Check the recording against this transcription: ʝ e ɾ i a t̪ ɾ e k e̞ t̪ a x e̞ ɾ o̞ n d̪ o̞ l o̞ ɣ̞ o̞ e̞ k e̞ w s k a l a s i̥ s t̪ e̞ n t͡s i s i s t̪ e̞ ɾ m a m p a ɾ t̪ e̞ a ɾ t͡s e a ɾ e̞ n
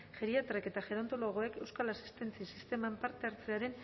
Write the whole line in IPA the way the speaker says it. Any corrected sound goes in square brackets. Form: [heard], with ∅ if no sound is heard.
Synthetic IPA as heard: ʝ e ɾ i a t̪ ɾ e k e̞ t̪ a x e̞ ɾ o̞ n [t̪] o̞ l o̞ ɣ̞ o̞ e̞ k e̞ w s k a l a s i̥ s t̪ e̞ n t͡s i s i s t̪ e̞ [∅] m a m p a ɾ t̪ e̞ a ɾ t͡s e a ɾ e̞ n